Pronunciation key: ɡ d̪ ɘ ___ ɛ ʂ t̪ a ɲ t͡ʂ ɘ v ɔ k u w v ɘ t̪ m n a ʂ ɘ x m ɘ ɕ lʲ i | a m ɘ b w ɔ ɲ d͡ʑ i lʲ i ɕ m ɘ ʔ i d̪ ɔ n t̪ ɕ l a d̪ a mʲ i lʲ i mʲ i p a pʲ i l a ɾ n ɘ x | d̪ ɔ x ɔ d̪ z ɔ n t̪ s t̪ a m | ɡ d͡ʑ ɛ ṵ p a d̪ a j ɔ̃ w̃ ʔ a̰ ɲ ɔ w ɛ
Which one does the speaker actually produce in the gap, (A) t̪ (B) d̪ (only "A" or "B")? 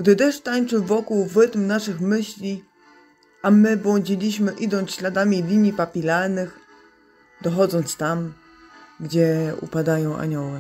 B